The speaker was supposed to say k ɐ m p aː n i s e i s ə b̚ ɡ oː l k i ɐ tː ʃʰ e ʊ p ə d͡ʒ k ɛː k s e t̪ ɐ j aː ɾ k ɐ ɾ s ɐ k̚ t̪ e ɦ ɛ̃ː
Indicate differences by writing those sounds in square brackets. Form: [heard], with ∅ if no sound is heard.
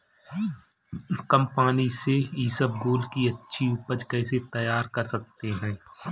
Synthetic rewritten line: k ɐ m p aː n i s e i s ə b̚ ɡ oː l k i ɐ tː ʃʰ [i] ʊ p ə d͡ʒ k ɛː [∅] s e t̪ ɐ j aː ɾ k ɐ ɾ s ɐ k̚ t̪ e ɦ ɛ̃ː